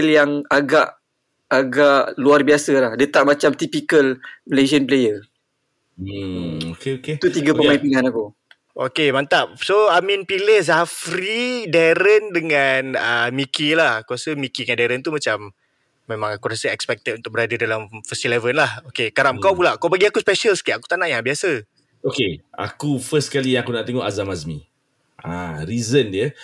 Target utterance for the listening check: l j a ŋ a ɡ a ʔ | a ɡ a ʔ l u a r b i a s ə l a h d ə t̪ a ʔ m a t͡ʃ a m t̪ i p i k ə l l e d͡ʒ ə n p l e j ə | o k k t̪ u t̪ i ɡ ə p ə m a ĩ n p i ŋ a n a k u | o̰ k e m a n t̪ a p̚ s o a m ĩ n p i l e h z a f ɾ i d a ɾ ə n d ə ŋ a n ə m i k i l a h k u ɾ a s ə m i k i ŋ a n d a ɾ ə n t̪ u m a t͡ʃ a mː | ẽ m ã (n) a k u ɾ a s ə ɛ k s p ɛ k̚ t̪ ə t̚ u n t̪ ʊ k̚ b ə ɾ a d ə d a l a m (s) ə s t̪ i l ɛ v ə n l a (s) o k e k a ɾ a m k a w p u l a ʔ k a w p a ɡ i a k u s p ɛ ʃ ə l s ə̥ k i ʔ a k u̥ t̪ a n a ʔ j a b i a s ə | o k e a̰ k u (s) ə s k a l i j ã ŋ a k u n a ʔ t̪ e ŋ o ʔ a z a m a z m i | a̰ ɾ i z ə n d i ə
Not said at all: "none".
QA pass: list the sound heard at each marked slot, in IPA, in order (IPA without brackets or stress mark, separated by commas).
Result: ŋ, f, h, f